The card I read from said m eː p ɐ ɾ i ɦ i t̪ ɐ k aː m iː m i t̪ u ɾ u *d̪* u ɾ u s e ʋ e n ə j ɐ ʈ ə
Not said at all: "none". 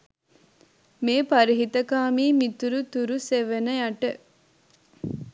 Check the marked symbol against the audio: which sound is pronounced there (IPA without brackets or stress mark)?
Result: t̪